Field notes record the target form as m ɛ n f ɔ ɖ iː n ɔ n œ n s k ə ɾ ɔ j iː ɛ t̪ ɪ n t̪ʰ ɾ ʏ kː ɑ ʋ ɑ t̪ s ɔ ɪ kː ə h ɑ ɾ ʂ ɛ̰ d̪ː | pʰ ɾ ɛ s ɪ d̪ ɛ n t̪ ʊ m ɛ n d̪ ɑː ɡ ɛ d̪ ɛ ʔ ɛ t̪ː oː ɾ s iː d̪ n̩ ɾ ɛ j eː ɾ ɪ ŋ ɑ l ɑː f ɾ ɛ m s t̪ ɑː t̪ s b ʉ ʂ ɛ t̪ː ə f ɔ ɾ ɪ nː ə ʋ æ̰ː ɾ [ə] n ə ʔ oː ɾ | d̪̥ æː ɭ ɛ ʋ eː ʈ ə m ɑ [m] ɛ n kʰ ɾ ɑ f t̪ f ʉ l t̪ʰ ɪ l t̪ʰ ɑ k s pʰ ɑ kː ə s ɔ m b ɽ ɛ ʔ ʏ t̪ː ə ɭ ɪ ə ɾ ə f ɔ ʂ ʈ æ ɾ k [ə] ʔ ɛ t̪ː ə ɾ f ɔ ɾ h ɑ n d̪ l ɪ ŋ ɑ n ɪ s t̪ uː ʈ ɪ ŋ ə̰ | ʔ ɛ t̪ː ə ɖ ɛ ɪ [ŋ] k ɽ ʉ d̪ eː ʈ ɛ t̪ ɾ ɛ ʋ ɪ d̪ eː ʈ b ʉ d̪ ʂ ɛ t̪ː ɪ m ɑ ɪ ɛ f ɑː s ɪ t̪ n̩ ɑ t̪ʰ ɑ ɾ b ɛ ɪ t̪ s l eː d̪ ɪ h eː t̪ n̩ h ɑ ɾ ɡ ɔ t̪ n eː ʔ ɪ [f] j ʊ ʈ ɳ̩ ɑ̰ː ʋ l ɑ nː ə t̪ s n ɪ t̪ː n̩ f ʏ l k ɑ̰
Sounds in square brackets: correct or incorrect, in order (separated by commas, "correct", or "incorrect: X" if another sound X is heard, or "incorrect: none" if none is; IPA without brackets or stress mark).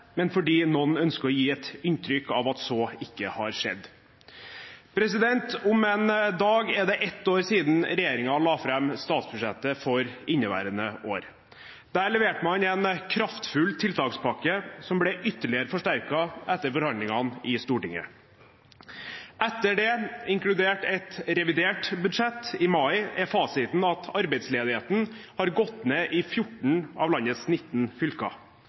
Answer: correct, incorrect: n, incorrect: ɑ, correct, correct